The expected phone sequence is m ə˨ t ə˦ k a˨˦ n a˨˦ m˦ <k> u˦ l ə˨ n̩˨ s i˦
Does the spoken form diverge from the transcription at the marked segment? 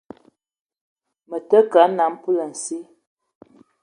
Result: yes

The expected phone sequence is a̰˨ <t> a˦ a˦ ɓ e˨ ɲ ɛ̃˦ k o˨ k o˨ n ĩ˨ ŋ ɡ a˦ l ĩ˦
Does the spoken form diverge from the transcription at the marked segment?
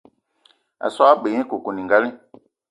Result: yes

